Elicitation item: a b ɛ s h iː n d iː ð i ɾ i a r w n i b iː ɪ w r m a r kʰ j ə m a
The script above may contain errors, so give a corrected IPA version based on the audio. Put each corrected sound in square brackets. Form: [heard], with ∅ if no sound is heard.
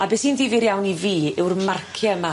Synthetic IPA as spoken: a b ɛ s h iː n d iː [v] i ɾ [j] a [∅] w n i [v] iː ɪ w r m a r kʰ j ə m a